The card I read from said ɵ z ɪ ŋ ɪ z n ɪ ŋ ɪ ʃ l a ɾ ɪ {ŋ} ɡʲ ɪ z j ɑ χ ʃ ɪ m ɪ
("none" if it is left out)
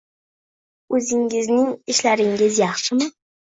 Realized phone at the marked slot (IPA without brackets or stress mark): ŋ